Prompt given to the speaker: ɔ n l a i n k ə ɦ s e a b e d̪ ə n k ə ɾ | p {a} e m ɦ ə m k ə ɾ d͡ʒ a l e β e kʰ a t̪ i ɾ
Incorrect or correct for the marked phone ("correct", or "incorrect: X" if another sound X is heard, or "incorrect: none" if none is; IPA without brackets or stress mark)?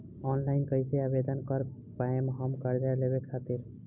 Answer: correct